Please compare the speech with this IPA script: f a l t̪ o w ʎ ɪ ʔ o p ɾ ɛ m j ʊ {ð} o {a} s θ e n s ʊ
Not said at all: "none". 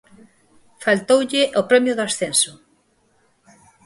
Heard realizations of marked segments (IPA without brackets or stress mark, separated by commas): ð, a